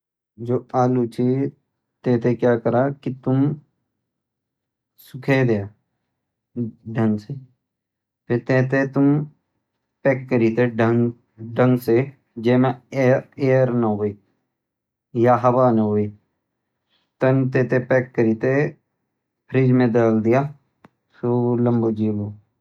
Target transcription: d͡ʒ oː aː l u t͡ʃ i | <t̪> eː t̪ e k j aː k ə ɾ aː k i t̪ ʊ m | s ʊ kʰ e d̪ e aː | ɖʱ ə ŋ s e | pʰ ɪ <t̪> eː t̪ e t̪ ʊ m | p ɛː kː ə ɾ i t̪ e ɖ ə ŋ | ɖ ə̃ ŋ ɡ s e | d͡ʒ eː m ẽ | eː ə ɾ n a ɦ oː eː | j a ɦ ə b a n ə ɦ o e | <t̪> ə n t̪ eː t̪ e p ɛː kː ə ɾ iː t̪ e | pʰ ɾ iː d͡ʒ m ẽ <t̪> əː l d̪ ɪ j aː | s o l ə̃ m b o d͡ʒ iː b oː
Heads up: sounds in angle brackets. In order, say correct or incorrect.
correct, correct, correct, incorrect

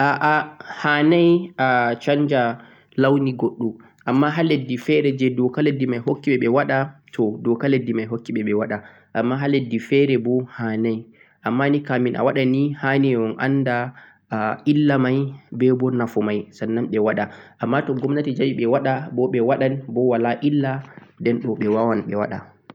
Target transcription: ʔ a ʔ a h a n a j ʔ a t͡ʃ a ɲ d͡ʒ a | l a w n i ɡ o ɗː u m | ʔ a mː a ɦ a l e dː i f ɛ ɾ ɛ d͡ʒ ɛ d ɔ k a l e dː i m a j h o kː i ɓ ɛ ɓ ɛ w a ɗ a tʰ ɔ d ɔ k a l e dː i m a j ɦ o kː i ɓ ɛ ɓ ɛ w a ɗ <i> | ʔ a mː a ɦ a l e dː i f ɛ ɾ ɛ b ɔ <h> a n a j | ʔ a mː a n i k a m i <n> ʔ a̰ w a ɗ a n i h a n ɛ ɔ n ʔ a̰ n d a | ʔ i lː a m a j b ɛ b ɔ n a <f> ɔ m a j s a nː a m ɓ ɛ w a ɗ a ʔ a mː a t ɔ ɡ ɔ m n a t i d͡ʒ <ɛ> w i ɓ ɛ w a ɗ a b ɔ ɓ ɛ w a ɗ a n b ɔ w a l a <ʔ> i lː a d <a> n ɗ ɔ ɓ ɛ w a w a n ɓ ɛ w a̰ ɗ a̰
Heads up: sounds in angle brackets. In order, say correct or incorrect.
incorrect, correct, correct, correct, incorrect, correct, incorrect

